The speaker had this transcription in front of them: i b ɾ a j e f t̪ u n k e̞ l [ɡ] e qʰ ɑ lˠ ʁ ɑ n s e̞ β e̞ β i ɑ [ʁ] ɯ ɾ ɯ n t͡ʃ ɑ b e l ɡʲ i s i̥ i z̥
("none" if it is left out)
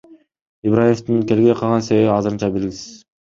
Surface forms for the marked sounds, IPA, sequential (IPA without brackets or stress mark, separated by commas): ɡ, z